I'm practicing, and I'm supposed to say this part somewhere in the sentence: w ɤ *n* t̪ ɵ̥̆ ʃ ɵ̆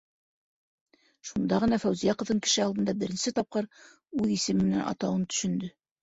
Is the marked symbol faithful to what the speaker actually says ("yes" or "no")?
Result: yes